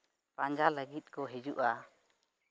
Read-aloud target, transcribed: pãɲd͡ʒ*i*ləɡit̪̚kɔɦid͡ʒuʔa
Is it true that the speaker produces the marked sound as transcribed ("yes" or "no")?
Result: no